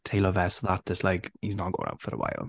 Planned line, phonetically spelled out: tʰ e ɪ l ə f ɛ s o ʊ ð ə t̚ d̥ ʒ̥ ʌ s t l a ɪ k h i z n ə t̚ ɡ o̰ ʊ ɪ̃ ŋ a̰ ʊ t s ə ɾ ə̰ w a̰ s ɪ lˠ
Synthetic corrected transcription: tʰ e ɪ l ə v ɛ s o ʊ ð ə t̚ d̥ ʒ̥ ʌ s t l a ɪ k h i z n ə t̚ ɡ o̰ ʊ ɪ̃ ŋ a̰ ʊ t f ə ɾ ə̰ w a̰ ɪ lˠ